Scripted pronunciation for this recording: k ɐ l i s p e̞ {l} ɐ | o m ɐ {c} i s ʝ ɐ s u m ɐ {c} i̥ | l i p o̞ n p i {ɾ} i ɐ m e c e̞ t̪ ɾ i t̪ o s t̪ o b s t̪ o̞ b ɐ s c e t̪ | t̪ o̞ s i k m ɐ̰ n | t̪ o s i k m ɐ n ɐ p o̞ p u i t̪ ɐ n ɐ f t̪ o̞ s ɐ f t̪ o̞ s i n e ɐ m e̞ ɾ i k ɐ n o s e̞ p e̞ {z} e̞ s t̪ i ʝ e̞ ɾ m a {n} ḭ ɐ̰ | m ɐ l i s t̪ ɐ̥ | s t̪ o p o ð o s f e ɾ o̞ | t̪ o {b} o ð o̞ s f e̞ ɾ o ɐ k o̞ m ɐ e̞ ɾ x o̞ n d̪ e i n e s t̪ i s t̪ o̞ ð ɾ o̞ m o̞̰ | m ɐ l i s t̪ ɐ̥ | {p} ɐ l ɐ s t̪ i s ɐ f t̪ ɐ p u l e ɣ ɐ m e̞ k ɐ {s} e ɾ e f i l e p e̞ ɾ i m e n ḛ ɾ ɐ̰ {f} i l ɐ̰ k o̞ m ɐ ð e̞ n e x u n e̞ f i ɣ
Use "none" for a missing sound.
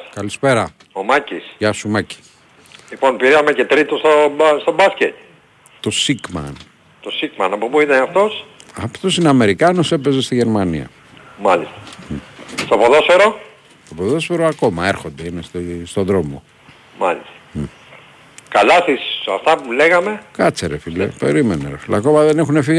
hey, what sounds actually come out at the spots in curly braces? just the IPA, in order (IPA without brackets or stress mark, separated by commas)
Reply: ɾ, c, c, ɾ, z, n, p, k, t͡s, f